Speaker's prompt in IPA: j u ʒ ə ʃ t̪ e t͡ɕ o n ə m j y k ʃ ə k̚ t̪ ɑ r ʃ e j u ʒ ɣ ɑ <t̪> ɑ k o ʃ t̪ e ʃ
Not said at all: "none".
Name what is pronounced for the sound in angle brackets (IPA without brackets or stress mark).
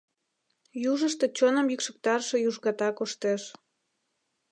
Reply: t̪